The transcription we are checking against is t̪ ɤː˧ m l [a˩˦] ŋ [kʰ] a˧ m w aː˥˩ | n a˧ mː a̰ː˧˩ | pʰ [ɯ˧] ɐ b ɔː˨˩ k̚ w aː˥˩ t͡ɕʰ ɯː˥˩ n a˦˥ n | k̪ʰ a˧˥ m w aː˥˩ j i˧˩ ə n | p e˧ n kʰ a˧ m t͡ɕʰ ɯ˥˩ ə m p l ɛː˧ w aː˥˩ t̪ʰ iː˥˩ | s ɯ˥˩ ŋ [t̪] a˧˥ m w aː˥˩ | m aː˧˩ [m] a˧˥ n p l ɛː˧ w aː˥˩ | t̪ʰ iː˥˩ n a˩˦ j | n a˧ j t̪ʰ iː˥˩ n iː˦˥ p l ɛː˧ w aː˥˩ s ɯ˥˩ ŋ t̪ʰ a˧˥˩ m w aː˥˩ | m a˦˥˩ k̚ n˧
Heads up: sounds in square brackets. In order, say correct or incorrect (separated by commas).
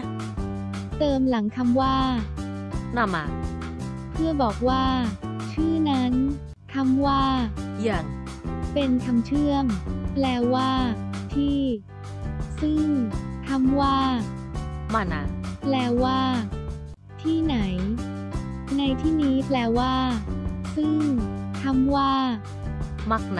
correct, correct, incorrect, incorrect, incorrect